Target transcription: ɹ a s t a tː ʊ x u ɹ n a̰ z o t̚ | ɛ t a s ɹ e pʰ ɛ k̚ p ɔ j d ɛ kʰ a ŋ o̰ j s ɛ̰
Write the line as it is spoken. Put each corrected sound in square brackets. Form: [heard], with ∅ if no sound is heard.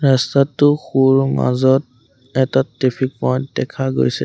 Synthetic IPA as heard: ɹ a s t a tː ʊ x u ɹ [m] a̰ z [ɔ] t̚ | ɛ t a [t] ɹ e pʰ [i] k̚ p ɔ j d ɛ kʰ a [ɡ] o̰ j s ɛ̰